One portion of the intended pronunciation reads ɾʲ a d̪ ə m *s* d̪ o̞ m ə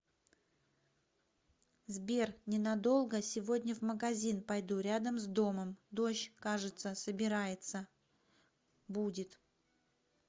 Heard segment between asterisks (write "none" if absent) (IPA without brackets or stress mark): z